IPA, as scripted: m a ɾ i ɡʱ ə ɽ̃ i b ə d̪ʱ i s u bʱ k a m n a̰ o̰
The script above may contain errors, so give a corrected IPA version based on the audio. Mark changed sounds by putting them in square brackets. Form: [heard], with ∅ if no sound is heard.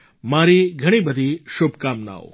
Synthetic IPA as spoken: m a ɾ i ɡʱ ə ɽ̃ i b ə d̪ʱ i [ʃ] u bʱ k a m n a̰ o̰